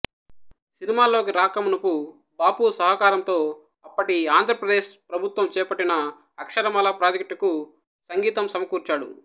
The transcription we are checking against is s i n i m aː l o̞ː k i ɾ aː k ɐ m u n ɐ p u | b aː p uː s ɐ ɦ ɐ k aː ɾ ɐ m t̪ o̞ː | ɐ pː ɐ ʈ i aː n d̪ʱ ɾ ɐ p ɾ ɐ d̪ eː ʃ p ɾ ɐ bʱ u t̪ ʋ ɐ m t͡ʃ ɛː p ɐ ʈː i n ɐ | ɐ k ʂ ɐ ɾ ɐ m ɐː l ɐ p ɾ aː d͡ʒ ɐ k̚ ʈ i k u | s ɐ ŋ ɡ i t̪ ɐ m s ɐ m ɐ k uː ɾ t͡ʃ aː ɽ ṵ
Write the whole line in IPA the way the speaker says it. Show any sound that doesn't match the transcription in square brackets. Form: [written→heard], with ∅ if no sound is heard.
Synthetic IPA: s i n i m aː l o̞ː k i ɾ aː k ɐ m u n ɐ p u | b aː p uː s ɐ ɦ ɐ k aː ɾ ɐ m t̪ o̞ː | ɐ pː ɐ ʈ i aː n d̪ʱ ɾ ɐ p ɾ ɐ d̪ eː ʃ p ɾ ɐ bʱ u t̪ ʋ ɐ m t͡ʃ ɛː p ɐ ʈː i n ɐ | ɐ k ʂ ɐ ɾ ɐ m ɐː l ɐ p ɾ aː d͡ʒ ɐ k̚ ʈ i k u | s ɐ ŋ ɡ [i→iː] t̪ ɐ m s ɐ m ɐ k uː ɾ t͡ʃ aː ɽ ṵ